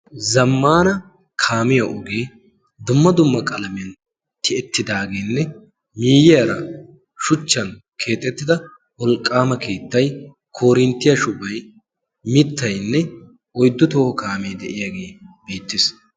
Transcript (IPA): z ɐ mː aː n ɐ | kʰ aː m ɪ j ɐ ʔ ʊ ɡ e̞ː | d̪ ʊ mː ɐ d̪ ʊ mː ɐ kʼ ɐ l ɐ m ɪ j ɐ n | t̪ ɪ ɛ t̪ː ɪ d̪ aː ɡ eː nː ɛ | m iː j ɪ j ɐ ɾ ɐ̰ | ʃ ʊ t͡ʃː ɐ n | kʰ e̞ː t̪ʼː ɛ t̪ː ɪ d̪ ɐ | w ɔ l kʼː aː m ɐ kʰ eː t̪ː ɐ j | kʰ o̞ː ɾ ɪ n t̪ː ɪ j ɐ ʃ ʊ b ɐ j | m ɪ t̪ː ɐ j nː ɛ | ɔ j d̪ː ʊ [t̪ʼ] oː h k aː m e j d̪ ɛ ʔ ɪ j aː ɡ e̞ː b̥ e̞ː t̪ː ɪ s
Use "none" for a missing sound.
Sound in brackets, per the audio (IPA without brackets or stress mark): t̪